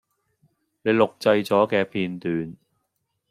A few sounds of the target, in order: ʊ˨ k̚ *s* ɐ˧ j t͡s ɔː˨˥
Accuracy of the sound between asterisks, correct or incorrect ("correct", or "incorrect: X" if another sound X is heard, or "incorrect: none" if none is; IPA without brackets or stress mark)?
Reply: incorrect: t͡s